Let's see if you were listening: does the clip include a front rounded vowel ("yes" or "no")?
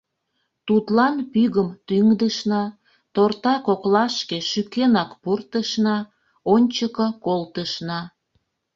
yes